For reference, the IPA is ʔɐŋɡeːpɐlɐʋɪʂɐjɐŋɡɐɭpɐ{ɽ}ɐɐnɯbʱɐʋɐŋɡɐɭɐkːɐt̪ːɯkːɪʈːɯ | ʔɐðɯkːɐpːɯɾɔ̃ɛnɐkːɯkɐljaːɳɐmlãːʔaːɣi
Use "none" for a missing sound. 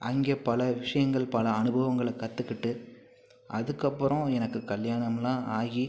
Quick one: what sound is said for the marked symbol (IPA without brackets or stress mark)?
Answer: l